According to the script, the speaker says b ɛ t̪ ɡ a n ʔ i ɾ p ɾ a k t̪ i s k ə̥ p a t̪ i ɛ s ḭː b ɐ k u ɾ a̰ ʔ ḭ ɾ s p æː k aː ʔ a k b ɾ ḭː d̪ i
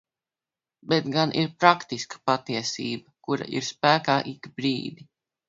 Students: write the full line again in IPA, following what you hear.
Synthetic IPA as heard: b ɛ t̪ ɡ a n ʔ i ɾ p ɾ a k t̪ i s k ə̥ p a t̪ i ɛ s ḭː b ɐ k u ɾ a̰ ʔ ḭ ɾ s p æː k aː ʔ i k b ɾ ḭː d̪ i